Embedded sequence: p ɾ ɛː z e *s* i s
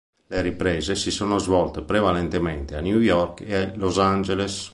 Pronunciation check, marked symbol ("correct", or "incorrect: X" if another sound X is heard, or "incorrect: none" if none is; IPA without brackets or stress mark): correct